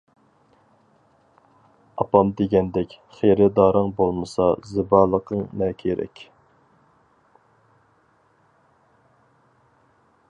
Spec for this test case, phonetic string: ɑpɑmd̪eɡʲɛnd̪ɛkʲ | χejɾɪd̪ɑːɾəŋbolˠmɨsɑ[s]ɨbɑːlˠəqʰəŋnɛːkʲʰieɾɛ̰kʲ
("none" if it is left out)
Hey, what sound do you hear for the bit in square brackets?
z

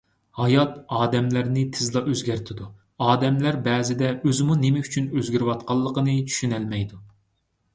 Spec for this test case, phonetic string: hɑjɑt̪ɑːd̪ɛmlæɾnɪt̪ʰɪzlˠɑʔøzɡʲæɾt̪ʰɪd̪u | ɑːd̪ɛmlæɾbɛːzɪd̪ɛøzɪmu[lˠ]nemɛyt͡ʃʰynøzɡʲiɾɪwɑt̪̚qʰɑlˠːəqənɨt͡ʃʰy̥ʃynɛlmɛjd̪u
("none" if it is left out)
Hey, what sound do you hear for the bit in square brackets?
none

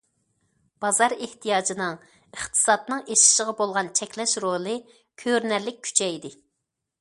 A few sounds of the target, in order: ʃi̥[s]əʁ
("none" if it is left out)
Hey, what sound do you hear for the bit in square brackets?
ʃ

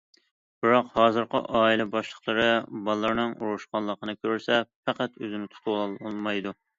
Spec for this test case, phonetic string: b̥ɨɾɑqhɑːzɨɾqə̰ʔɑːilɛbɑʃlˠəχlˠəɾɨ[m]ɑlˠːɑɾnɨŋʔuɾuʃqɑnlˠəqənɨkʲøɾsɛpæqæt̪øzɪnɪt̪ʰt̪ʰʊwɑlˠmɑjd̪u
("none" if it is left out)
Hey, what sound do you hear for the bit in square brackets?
b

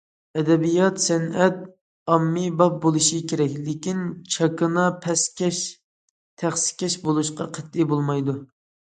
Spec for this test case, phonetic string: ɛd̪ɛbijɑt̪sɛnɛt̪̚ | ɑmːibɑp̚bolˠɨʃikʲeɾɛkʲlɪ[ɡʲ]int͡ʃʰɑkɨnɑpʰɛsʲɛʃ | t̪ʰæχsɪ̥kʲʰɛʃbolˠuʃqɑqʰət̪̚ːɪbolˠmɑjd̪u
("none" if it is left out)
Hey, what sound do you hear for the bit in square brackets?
kʲ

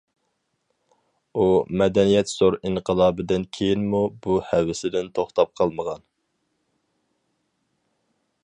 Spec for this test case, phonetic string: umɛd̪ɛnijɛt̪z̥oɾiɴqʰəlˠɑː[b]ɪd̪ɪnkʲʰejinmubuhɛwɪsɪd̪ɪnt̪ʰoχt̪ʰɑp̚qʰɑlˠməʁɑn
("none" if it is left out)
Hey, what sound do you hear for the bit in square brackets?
b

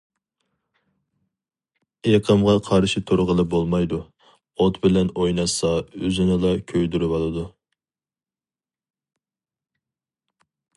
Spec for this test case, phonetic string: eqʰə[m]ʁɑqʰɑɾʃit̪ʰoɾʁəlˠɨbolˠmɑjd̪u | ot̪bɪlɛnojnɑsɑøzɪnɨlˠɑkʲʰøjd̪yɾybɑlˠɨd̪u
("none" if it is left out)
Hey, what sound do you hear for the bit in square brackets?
m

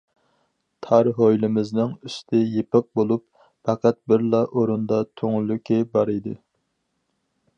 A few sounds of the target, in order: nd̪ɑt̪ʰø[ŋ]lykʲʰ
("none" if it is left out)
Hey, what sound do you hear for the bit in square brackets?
ŋ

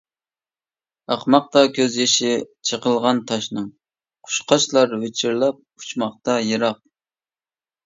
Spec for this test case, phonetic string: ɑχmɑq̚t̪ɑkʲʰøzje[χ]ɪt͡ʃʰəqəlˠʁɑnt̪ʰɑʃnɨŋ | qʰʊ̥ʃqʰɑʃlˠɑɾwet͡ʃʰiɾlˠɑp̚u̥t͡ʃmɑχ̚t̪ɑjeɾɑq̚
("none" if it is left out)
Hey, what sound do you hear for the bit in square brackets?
ʃ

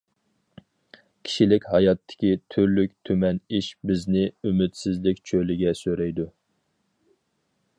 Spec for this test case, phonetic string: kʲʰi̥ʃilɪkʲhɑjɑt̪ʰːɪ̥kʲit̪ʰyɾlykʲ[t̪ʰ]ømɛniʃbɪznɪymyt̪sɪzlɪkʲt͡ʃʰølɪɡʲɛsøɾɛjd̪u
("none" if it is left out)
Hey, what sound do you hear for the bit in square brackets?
t̪ʰ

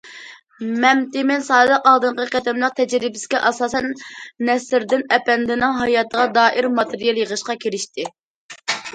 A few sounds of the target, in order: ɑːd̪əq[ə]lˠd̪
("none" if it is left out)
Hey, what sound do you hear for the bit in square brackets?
ɑ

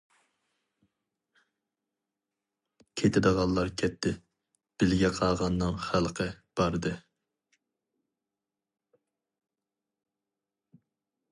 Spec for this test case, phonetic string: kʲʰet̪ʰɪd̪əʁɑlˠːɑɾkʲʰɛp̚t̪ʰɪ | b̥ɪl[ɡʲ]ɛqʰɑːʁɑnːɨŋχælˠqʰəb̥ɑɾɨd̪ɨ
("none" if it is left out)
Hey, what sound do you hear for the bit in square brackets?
ɡʲ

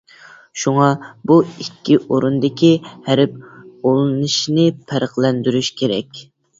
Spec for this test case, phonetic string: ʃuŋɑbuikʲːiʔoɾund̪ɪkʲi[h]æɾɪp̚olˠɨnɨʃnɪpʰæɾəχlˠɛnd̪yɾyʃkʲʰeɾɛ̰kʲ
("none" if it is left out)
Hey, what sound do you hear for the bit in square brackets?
h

